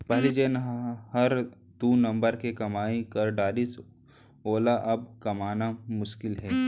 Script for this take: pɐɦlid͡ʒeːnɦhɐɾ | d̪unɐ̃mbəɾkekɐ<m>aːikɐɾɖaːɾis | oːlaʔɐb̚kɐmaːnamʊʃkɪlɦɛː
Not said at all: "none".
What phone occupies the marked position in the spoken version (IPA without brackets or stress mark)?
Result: m